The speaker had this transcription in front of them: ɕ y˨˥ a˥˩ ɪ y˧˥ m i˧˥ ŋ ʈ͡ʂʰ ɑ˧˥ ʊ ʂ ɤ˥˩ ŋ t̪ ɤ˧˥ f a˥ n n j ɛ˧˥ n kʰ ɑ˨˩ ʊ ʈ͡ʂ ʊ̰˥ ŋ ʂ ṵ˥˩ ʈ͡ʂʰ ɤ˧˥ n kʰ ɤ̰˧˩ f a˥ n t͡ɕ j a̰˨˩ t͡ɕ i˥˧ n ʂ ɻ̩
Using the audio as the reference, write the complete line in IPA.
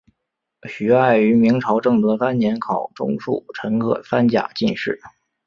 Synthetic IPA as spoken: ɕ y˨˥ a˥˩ ɪ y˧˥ m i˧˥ ŋ ʈ͡ʂʰ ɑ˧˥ ʊ ʈ͡ʂ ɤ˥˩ ŋ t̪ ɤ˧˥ f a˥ n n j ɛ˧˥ n kʰ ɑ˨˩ ʊ ʈ͡ʂ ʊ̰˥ ŋ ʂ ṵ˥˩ ʈ͡ʂʰ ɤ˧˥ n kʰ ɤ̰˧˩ f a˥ n t͡ɕ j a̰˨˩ t͡ɕ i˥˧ n ʂ ɻ̩